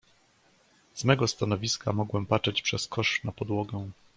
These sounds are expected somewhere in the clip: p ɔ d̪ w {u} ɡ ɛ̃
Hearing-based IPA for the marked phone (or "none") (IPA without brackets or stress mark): ɔ